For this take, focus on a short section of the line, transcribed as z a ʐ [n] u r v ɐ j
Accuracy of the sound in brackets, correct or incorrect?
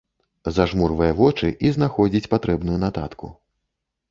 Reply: incorrect: m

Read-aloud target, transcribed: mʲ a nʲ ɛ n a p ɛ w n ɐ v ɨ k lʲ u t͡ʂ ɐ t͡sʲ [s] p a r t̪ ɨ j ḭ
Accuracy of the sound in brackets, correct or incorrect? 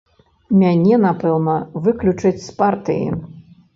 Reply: correct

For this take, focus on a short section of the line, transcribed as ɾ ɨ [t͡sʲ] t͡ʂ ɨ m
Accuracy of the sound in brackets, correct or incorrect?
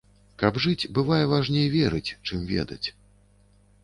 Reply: correct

